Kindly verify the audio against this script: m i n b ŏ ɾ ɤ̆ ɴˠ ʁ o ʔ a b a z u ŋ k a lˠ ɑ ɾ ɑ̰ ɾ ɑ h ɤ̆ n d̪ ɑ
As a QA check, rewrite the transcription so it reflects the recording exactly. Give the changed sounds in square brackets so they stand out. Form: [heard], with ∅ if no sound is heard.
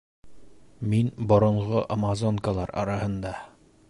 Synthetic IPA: m i n b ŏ ɾ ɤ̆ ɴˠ ʁ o ʔ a [m] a z [o] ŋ k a lˠ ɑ ɾ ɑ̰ ɾ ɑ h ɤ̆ n d̪ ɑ